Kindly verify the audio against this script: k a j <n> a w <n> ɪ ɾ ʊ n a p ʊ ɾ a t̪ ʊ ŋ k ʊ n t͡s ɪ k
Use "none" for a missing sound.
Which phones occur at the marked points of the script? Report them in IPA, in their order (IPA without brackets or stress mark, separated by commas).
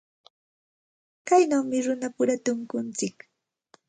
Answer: n, m